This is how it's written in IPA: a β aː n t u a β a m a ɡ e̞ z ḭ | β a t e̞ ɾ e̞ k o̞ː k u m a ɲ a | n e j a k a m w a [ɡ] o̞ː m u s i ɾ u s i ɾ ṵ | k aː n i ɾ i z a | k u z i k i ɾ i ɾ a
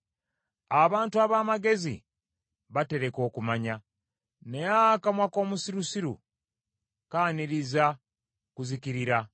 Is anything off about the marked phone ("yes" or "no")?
yes